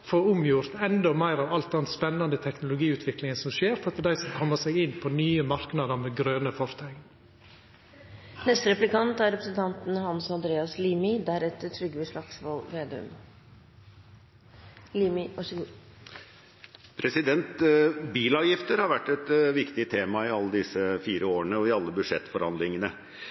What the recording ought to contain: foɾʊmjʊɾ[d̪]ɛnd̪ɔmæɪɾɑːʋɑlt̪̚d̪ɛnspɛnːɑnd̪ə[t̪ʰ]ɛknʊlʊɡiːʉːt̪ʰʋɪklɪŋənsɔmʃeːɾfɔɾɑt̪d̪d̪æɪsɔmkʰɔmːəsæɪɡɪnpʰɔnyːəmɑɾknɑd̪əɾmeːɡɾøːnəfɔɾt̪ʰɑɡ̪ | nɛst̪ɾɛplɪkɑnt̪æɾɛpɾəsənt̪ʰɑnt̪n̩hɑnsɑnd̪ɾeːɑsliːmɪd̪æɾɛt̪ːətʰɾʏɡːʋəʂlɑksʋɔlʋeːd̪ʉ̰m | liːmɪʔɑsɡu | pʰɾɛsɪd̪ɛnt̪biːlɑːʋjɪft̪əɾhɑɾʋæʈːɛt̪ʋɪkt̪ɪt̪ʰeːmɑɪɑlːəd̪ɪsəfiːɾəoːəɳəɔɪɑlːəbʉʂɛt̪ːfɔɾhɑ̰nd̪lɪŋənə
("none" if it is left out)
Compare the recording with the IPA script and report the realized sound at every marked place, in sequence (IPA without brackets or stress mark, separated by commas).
t̪, t̪ʰ